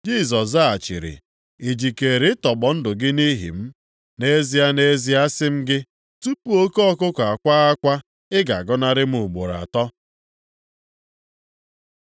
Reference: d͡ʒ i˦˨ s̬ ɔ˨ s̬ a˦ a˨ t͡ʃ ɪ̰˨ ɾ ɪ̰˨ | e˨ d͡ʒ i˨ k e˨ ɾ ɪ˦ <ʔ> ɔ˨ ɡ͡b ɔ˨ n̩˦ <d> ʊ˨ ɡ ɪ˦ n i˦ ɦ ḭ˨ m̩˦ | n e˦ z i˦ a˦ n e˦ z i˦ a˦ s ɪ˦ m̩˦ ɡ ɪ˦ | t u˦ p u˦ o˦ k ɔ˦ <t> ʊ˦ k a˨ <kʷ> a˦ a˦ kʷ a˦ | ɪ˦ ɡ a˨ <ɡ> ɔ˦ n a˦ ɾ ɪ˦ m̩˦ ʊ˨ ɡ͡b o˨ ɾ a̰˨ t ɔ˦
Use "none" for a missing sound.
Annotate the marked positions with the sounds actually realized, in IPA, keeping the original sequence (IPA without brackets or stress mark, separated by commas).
t, d, k, kʷ, ɡ